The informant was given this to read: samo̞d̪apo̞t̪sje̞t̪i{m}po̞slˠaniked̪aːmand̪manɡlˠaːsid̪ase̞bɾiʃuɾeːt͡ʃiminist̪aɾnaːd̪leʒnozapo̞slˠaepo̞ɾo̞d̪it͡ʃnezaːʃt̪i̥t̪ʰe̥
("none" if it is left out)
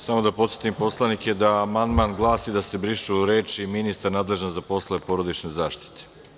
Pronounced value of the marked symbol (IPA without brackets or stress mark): m